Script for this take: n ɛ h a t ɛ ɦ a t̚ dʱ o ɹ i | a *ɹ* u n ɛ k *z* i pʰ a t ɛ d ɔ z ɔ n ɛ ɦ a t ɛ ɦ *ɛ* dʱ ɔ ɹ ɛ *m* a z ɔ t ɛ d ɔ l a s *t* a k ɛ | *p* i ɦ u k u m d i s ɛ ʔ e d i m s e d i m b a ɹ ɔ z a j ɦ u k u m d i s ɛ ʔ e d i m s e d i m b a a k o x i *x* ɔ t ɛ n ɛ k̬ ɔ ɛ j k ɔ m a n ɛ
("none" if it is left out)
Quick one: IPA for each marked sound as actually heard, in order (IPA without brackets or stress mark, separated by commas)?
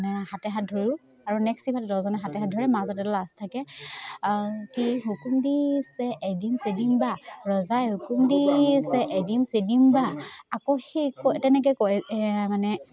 ɹ, s, a, m, tʰ, k, k